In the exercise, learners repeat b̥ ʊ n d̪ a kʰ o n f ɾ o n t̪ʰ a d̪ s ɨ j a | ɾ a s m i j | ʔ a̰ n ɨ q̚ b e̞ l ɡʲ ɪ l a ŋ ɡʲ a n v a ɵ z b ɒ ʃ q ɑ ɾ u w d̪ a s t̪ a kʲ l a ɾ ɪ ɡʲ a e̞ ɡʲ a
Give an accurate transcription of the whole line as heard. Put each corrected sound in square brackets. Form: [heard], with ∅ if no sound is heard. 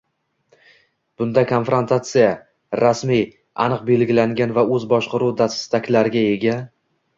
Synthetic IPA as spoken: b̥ ʊ n d̪ a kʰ o n f ɾ o n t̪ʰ a [t̪] s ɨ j a | ɾ a s m i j | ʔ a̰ n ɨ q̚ b e̞ l ɡʲ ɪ l a ŋ ɡʲ a n v a ɵ z b ɒ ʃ q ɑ ɾ u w d̪ a s t̪ a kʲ l a ɾ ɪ ɡʲ a e̞ ɡʲ a